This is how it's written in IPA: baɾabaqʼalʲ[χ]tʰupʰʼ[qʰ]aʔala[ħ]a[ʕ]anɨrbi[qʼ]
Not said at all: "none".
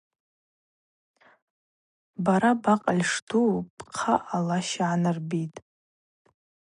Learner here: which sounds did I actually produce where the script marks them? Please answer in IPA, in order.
ʂ, qʰ, ʃ, ʕ, tʼ

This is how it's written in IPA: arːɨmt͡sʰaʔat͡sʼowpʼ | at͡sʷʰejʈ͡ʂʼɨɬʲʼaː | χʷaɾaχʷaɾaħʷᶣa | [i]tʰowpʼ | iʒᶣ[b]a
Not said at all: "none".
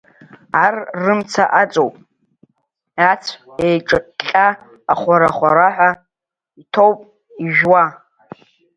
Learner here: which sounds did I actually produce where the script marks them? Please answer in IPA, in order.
i, w

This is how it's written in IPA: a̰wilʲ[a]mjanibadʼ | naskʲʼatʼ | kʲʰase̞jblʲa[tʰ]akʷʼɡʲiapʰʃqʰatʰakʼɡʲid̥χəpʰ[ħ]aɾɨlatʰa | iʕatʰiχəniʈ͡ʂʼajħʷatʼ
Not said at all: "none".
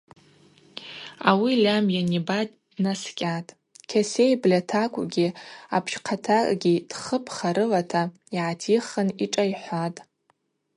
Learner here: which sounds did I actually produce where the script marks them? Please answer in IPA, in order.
a, tʰ, χ

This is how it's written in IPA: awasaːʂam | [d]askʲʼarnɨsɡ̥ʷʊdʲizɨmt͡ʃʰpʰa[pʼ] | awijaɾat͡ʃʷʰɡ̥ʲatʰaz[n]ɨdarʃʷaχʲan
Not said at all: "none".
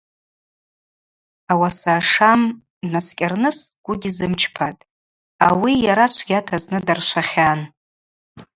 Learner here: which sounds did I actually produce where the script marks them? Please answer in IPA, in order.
n, tʼ, n

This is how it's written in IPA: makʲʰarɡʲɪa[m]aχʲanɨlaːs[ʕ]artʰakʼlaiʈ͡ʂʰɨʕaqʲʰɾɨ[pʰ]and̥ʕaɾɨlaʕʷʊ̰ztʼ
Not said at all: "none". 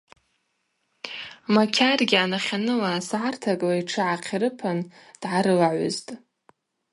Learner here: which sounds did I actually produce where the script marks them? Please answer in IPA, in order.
n, ʕ, pʰ

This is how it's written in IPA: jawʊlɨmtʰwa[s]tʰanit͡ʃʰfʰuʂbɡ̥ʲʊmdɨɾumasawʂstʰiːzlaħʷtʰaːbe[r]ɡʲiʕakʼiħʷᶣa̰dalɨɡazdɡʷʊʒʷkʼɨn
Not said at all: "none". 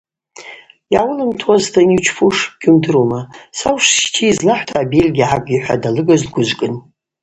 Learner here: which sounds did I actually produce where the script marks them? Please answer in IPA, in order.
z, l

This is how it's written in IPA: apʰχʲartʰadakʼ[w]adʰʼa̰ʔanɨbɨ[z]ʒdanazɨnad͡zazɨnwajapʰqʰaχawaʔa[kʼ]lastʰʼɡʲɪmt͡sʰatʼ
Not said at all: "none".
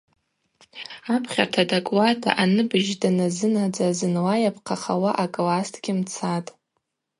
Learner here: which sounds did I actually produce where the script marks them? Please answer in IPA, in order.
w, none, kʼ

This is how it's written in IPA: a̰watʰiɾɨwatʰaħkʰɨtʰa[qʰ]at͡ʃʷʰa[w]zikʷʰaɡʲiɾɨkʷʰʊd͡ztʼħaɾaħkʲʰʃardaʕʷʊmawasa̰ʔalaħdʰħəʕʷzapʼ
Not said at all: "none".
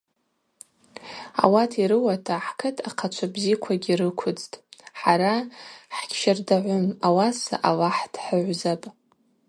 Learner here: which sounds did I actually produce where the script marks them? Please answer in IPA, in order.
qʰ, b

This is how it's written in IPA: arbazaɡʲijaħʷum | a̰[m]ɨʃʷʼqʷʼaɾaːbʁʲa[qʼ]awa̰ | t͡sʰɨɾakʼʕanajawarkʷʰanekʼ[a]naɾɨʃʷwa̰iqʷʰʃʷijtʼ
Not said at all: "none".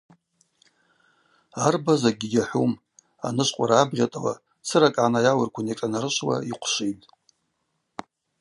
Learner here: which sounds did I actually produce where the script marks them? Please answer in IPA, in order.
n, tʼ, a

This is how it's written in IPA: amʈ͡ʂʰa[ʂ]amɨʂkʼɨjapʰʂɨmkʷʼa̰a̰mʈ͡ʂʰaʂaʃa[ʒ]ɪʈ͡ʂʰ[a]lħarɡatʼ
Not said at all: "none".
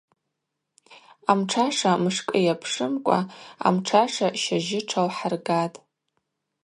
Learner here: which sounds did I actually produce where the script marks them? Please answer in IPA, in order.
ʂ, ʒ, a

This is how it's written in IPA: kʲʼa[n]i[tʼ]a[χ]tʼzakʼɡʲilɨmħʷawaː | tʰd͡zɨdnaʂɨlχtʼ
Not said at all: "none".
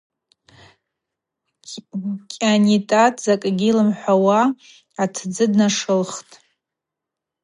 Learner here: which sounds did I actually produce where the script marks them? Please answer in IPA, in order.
n, tʼ, none

